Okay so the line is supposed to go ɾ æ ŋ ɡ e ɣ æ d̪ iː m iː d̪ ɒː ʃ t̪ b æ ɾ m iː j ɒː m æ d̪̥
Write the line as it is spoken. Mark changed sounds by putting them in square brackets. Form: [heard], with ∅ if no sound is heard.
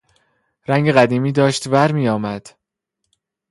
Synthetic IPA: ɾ æ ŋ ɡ e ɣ æ d̪ iː m iː d̪ ɒː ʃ t̪ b æ ɾ m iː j ɒː m æ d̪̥